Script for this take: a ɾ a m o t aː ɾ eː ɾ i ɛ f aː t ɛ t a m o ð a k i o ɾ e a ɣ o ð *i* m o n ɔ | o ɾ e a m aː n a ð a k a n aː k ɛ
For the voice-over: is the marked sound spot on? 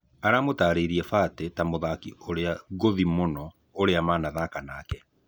yes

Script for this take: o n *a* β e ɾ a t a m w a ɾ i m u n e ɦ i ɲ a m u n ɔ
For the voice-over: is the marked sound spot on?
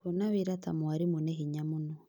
yes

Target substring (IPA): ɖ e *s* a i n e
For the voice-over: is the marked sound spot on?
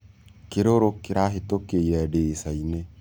yes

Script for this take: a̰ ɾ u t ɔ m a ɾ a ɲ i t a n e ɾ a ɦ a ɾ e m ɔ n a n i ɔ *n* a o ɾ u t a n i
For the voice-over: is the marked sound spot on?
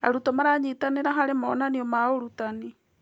no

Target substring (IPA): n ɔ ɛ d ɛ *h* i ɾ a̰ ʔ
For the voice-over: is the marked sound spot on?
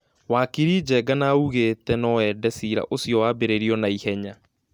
no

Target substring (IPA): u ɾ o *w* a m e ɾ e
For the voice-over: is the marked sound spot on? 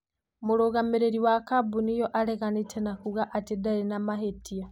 no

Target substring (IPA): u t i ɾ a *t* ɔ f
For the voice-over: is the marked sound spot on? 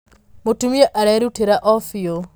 no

